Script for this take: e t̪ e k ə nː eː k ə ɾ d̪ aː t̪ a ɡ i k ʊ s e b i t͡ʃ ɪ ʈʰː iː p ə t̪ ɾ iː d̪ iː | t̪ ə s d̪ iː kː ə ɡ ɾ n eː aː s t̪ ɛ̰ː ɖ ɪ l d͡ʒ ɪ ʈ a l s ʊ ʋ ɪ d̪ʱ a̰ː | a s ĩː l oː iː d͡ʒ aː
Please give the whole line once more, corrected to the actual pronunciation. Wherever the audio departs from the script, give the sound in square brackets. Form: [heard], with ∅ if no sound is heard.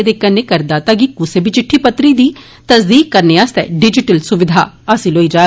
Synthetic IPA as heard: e [d̪] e k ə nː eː k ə ɾ d̪ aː t̪ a ɡ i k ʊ s e b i t͡ʃ ɪ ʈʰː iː p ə t̪ ɾ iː d̪ iː | t̪ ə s d̪ iː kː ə [∅] ɾ n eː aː s t̪ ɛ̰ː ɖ ɪ [∅] d͡ʒ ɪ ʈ [ə] l s ʊ ʋ ɪ d̪ʱ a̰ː | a s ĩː l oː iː d͡ʒ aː